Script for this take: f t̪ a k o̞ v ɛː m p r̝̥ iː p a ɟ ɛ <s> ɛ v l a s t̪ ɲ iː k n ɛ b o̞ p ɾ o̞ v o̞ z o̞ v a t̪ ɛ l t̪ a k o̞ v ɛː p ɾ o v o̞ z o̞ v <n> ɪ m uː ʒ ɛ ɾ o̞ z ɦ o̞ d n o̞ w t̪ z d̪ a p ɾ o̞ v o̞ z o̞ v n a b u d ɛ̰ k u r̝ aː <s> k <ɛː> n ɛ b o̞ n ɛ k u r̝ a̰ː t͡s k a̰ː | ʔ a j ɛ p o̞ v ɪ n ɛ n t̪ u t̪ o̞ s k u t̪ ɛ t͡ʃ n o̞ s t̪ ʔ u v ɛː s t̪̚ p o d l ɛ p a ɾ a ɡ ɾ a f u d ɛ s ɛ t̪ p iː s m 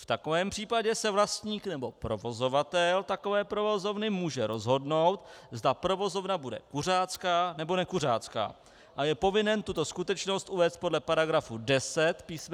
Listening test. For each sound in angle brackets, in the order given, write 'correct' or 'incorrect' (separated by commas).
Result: correct, correct, incorrect, incorrect